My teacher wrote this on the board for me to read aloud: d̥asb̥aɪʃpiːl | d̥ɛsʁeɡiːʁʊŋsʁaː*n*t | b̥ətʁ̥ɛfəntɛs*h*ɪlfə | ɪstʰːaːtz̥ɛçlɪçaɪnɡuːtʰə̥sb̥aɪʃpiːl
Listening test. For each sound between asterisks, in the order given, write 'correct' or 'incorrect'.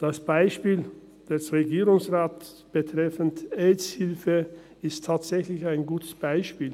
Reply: incorrect: none, correct

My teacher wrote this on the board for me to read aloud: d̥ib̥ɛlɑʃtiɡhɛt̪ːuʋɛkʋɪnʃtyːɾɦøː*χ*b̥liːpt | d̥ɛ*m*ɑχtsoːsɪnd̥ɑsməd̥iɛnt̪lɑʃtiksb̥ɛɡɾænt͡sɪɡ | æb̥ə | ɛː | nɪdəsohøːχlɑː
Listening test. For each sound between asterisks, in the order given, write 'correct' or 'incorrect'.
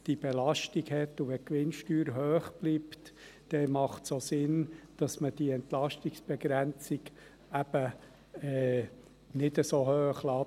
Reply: correct, correct

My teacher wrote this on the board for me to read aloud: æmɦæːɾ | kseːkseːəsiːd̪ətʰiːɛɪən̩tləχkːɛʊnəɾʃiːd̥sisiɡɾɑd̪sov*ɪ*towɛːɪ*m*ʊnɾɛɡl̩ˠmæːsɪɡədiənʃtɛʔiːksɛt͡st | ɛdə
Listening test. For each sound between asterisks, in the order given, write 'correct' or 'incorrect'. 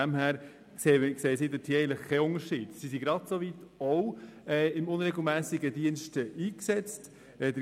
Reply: incorrect: i, correct

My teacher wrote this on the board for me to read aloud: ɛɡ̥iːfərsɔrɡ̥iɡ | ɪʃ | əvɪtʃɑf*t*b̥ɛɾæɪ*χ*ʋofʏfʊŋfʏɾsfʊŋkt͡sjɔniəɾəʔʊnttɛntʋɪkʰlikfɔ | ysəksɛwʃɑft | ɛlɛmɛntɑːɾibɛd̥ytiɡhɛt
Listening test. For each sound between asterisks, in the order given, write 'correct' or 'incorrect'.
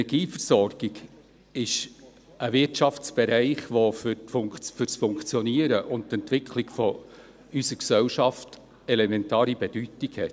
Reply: incorrect: t͡s, correct

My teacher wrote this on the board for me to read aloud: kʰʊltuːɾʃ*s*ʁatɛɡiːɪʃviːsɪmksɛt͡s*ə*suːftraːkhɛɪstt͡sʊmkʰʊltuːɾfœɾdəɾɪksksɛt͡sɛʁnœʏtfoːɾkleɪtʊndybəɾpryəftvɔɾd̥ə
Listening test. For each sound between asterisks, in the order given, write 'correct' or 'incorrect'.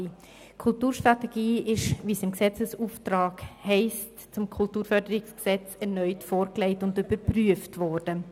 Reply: incorrect: t, correct

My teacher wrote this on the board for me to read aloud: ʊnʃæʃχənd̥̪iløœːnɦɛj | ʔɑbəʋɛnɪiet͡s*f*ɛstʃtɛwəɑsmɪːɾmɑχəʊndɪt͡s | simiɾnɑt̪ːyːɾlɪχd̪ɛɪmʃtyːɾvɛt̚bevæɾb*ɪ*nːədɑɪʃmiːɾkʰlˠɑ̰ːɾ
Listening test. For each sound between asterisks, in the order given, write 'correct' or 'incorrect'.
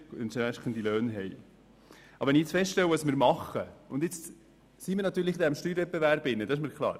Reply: correct, correct

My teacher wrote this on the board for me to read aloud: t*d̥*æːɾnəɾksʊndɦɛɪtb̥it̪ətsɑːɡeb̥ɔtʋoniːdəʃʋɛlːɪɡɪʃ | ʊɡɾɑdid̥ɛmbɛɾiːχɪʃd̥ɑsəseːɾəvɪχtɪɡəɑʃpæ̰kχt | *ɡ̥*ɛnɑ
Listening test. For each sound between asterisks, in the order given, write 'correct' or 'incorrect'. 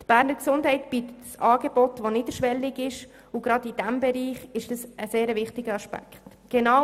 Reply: incorrect: b̥, correct

